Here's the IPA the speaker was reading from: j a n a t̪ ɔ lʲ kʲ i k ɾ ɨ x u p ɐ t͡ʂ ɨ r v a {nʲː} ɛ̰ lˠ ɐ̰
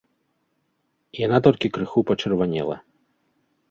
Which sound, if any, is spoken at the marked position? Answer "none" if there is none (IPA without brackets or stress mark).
nʲ